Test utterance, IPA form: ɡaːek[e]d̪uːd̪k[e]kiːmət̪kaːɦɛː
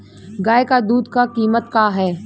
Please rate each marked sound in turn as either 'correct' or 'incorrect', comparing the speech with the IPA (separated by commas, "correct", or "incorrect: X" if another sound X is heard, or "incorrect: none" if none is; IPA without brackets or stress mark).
incorrect: a, incorrect: a